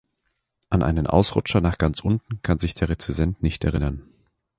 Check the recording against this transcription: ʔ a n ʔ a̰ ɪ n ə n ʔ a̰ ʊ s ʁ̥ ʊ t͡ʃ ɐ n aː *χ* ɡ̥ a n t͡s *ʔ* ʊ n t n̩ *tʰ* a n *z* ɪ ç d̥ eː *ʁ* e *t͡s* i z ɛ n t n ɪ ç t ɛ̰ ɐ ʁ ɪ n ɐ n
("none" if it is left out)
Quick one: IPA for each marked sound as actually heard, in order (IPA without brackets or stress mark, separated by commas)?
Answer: χ, ʔ, kʰ, z, ʁ, t͡s